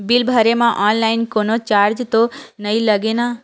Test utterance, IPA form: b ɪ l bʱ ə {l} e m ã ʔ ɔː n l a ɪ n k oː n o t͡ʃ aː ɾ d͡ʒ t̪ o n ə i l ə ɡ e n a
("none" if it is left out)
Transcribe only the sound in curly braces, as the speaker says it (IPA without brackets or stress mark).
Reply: ɾ